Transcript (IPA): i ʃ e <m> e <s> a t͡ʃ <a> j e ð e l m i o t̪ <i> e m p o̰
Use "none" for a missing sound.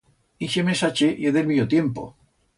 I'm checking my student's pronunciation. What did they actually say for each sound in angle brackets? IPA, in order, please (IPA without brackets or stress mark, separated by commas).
m, s, e, j